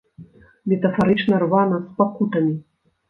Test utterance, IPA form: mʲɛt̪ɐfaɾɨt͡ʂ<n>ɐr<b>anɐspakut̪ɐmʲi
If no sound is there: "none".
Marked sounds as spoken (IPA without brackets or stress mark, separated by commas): n, v